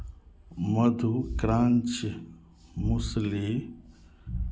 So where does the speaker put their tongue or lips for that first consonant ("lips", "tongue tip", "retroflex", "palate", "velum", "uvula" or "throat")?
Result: lips